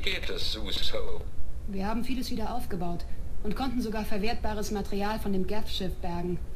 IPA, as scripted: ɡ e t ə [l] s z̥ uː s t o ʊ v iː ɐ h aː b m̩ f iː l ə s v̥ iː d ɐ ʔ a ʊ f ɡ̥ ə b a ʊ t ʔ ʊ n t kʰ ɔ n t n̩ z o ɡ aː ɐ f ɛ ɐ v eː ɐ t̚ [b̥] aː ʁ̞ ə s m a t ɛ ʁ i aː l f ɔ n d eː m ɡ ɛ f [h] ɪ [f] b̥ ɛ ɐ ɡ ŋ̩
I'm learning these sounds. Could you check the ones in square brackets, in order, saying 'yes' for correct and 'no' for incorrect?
no, yes, no, yes

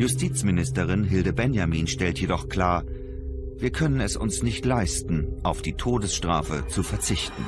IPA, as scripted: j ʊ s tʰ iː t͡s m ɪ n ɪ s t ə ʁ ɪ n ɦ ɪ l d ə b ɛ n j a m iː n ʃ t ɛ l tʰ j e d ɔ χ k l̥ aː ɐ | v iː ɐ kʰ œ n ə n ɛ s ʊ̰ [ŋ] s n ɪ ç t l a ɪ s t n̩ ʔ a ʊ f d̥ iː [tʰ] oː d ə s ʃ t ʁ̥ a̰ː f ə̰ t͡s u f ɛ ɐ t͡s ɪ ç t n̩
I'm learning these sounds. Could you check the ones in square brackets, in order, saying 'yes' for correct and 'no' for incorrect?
no, yes

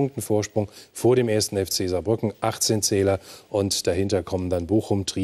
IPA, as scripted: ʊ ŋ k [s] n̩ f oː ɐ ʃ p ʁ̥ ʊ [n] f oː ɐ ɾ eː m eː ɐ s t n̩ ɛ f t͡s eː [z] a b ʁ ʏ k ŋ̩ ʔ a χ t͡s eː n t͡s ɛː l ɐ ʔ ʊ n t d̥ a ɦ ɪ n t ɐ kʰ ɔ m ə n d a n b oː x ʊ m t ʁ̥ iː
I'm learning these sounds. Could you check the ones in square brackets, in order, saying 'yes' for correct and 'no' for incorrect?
no, no, yes

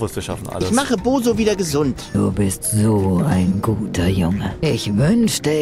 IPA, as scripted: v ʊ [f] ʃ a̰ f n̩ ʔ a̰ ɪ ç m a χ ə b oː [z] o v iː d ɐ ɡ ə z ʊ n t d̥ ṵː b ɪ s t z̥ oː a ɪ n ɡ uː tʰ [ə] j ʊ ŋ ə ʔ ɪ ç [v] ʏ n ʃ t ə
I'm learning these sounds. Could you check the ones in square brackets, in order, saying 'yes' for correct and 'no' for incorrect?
no, yes, no, yes

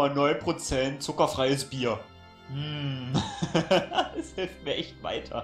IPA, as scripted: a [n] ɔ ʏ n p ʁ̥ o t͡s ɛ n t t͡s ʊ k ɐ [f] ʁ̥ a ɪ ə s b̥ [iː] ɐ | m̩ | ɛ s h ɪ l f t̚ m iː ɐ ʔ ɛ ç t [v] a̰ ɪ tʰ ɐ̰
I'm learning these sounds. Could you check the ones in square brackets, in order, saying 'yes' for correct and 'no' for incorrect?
yes, yes, yes, yes

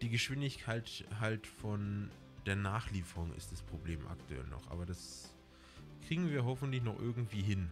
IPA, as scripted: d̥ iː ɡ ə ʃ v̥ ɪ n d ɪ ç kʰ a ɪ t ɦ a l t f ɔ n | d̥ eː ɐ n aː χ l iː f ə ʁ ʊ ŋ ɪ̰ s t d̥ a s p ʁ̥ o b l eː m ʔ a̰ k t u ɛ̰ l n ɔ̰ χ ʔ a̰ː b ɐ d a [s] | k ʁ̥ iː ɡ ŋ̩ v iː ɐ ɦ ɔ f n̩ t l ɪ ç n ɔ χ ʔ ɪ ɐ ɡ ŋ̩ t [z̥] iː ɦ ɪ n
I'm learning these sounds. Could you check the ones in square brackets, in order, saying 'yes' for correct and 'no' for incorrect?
yes, no

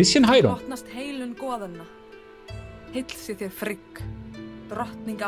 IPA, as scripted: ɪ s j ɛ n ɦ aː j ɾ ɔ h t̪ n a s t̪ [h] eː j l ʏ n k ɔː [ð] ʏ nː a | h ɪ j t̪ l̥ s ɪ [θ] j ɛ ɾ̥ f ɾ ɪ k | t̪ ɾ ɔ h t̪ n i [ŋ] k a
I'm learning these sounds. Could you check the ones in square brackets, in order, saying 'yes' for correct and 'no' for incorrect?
yes, yes, yes, yes

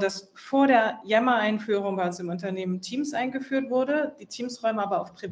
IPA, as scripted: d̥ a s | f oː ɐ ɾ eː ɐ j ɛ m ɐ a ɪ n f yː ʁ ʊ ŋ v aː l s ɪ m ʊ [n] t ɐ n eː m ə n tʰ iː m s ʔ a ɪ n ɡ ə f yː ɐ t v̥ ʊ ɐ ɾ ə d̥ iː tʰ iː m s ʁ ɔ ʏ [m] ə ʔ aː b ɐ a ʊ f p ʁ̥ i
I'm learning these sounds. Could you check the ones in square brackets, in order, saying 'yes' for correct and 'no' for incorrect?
yes, yes

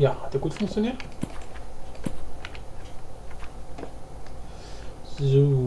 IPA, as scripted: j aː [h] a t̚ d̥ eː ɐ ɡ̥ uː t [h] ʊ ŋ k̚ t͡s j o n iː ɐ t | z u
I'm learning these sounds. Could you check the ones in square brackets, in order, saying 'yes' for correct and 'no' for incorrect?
yes, no

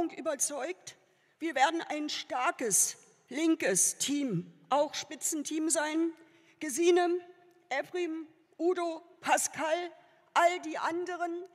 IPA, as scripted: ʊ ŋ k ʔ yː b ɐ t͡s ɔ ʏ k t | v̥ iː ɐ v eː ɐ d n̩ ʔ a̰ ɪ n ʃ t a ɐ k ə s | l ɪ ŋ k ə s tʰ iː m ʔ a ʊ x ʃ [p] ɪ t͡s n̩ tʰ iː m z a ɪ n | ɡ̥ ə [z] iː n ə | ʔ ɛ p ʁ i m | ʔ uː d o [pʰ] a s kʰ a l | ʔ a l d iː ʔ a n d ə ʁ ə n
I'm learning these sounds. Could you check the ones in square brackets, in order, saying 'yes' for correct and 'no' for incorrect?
yes, yes, yes

